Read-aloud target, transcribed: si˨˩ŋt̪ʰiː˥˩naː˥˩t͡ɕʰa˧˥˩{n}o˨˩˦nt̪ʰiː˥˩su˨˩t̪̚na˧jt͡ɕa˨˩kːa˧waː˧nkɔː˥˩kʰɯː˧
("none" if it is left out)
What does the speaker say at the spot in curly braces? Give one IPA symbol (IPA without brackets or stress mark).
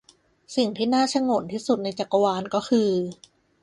ŋ